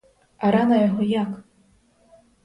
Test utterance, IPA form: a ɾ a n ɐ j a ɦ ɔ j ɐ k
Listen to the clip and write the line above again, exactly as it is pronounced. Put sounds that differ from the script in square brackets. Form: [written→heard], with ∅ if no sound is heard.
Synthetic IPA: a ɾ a n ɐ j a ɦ ɔ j [ɐ→a] k